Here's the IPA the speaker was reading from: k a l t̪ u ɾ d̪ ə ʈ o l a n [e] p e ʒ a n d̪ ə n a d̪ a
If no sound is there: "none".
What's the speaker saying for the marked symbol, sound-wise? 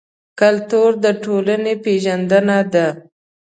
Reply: e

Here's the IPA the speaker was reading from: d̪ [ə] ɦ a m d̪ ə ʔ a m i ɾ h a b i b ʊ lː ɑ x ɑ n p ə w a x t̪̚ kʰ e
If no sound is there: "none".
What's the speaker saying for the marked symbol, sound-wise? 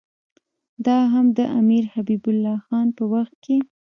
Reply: ɑ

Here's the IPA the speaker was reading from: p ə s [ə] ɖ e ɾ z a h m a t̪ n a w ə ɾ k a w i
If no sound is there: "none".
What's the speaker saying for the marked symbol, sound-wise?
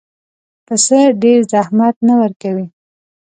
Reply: ə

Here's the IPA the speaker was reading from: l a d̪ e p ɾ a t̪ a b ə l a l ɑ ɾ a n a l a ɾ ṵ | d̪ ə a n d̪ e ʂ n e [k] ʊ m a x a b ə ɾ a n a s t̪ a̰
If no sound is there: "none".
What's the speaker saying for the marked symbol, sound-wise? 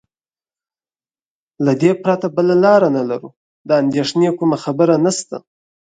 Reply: k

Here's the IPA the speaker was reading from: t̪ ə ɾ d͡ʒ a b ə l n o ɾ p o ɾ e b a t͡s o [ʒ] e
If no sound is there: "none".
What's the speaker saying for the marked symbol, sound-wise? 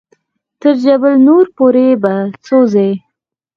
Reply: z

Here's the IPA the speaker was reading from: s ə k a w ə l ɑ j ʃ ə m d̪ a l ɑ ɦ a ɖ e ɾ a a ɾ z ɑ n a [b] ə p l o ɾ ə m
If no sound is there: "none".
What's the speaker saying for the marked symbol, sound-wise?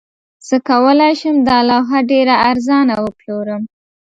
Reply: w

